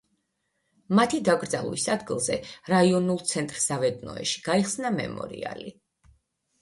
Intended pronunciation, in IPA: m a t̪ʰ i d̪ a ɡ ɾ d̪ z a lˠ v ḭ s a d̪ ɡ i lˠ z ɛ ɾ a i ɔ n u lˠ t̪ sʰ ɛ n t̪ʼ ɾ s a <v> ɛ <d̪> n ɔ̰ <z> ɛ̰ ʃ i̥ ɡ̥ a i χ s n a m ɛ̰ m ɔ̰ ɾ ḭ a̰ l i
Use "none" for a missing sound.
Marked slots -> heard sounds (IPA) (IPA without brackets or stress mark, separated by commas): v, d̪, none